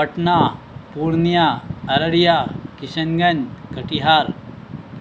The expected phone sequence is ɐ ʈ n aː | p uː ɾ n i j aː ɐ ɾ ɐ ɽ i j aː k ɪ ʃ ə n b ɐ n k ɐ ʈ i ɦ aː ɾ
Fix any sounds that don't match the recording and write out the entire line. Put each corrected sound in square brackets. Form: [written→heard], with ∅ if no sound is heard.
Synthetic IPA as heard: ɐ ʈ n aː | p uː ɾ n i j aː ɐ ɾ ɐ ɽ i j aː k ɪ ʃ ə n [b→ɡ] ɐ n k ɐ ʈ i ɦ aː ɾ